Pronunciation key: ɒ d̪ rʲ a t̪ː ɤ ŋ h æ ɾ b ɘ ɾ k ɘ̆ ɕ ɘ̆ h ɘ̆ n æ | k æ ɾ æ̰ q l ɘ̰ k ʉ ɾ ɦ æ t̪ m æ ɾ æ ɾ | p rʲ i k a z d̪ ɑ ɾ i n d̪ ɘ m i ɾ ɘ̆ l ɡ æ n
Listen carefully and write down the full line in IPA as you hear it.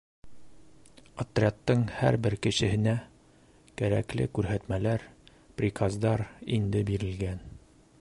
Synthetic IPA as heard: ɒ t̪ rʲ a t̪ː ɤ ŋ h æ ɾ b ɘ ɾ k ɘ̆ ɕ ɘ̆ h ɘ̆ n æ | k æ ɾ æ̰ k l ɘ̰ k ʉ ɾ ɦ æ t̪ m æ l æ ɾ | p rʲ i k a z d̪ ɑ ɾ i n d̪ ɘ b i ɾ ɘ̆ l ɡ æ n